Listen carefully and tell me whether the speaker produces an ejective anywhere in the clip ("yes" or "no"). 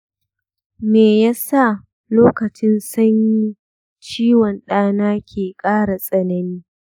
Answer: yes